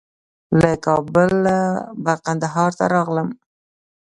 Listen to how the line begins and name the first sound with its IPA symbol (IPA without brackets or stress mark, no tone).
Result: l